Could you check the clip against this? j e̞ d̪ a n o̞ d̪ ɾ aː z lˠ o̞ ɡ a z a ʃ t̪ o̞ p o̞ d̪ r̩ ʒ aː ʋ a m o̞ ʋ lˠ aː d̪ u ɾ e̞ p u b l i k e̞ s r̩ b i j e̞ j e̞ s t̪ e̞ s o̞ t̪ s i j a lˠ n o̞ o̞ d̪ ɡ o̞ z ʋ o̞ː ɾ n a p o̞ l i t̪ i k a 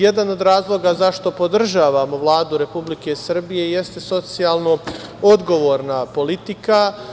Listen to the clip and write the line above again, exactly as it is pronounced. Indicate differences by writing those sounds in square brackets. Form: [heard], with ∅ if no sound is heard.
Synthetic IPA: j e̞ d̪ a n o̞ d̪ ɾ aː z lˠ o̞ ɡ a z a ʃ t̪ o̞ p o̞ d̪ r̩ ʒ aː ʋ a m o̞ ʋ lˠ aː d̪ u ɾ e̞ p u b l i k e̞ s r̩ b i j e̞ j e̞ s t̪ e̞ s o̞ t̪ s i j a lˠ n o̞ o̞ d̪ ɡ o̞ [∅] ʋ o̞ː ɾ n a p o̞ l i t̪ i k a